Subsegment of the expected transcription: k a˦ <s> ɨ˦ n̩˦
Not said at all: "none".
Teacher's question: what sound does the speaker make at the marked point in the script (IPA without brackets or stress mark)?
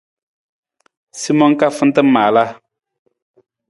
f